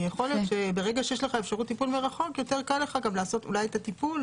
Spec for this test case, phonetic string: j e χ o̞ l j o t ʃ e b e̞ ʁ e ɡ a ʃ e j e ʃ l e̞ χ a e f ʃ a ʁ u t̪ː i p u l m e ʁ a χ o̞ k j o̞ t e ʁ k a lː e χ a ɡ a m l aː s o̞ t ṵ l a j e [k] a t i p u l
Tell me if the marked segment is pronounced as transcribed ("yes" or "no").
no